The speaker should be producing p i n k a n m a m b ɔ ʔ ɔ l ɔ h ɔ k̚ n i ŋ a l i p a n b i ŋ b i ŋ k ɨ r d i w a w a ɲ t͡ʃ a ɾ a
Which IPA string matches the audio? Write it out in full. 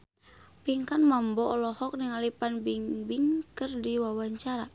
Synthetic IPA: p i ŋ k a n m a m b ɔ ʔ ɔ l ɔ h ɔ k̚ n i ŋ a l i p a n b i ŋ b i ŋ k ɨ r d i w a w a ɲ t͡ʃ a ɾ a